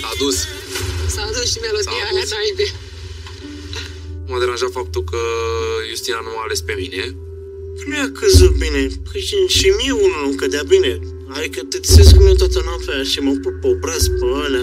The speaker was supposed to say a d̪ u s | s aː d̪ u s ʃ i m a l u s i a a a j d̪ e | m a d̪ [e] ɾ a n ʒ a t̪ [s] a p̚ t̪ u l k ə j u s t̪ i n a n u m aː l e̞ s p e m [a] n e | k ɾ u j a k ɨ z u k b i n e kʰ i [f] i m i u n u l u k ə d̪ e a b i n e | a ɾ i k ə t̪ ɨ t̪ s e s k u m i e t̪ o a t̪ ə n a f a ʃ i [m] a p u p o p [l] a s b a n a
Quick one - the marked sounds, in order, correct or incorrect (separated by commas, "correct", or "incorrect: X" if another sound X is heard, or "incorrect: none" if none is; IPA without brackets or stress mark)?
correct, incorrect: f, incorrect: i, incorrect: ʃ, correct, incorrect: ɾ